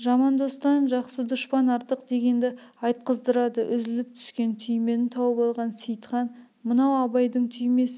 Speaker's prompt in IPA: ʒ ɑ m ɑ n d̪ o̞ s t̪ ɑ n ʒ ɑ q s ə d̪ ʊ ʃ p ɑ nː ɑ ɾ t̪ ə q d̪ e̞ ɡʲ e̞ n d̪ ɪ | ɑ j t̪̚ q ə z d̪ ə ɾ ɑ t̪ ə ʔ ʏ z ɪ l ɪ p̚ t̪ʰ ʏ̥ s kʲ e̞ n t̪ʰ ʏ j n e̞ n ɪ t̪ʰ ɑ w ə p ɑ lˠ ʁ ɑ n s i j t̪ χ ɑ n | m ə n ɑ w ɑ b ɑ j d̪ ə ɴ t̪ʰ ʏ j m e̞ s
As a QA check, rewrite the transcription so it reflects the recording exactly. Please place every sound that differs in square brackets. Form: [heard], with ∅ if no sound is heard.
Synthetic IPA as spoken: ʒ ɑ m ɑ n d̪ o̞ s t̪ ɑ n ʒ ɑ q s ə d̪ ʊ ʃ p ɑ [n] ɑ ɾ t̪ ə q d̪ e̞ ɡʲ e̞ n d̪ ɪ | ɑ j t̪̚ q ə z d̪ ə ɾ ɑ [d̪] ə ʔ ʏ z ɪ l ɪ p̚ t̪ʰ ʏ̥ s kʲ e̞ n t̪ʰ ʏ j [m] e̞ n ɪ t̪ʰ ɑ w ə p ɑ lˠ ʁ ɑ n s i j t̪ χ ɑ n | m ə n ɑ w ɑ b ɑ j d̪ ə ɴ t̪ʰ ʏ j m e̞ s